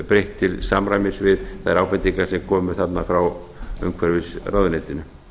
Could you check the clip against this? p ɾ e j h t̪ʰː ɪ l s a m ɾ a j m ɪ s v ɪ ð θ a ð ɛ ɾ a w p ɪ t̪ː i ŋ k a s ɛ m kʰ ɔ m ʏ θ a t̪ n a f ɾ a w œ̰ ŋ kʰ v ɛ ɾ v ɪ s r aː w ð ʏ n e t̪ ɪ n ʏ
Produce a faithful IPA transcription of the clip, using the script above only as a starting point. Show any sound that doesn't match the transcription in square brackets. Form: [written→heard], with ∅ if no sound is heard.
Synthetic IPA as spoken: p ɾ e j h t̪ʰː ɪ l s a m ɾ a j m ɪ s v ɪ ð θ a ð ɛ ɾ a w p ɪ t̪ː i ŋ k a s ɛ m kʰ [ɔ→ɔː] m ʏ θ a t̪ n a f ɾ a w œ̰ ŋ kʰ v ɛ ɾ v ɪ s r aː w ð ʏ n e t̪ ɪ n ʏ